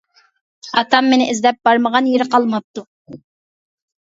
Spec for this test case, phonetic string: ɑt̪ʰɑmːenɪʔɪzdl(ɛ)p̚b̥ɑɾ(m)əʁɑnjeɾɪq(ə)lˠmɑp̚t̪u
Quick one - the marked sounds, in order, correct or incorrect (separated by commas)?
correct, correct, incorrect